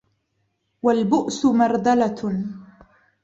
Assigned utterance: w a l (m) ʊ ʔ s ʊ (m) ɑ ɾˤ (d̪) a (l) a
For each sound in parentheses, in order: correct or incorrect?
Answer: incorrect, correct, correct, correct

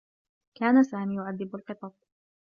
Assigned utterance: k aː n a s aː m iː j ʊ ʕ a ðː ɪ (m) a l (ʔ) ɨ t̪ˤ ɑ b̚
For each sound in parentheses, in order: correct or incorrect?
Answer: incorrect, incorrect

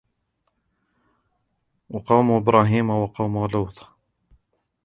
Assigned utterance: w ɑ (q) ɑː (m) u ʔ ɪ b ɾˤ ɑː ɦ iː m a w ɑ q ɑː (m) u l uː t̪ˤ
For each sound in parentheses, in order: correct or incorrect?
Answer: correct, correct, correct

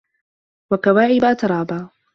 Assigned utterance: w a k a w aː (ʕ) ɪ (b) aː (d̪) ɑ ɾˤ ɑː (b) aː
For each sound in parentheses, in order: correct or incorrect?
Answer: correct, correct, incorrect, correct

